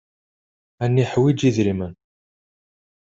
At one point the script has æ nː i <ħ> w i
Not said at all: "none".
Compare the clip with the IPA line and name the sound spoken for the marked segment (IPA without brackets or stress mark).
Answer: ħ